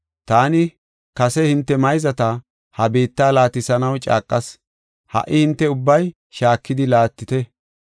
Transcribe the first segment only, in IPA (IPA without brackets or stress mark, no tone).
t̪